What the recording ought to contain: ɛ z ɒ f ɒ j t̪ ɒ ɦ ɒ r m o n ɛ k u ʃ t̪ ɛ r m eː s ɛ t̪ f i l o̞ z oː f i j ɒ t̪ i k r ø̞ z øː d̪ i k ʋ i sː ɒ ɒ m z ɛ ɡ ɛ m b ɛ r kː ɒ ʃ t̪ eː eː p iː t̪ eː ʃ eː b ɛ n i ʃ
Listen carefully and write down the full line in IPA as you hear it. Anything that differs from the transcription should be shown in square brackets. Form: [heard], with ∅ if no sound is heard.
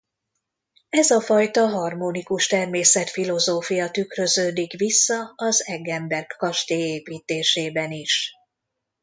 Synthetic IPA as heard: ɛ z ɒ f ɒ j t̪ ɒ ɦ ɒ r m o n [i] k u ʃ t̪ ɛ r m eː s ɛ t̪ f i l o̞ z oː f i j ɒ t̪ [y] k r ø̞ z øː d̪ i k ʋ i sː ɒ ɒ [∅] z ɛ ɡ ɛ m b ɛ r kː ɒ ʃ t̪ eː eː p iː t̪ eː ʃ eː b ɛ n i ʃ